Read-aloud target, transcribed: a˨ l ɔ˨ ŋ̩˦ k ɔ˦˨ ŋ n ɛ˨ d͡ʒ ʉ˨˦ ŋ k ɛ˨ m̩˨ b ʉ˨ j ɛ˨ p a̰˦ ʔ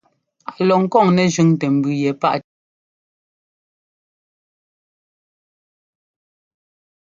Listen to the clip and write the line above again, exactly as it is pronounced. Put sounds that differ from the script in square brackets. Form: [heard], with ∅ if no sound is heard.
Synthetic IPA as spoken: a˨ l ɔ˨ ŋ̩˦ k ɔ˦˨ ŋ n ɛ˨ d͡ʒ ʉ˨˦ ŋ [t] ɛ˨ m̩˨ b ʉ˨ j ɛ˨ p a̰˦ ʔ